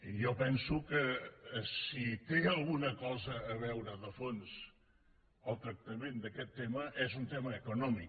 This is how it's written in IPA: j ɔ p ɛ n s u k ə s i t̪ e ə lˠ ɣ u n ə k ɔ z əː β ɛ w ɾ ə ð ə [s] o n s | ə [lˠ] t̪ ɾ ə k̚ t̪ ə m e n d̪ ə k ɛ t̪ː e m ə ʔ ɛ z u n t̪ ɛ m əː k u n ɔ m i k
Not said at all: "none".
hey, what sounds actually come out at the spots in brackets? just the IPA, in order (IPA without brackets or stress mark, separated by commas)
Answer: f, lˠ